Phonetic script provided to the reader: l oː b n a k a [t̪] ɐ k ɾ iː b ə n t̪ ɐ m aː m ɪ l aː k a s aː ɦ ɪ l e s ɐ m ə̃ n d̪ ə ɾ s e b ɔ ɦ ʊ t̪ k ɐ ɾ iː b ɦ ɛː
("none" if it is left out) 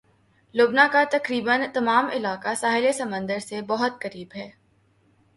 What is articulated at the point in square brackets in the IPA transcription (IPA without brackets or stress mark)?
t̪